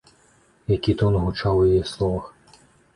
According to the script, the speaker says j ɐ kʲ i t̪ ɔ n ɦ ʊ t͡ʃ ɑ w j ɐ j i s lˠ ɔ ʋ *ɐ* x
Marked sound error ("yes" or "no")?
no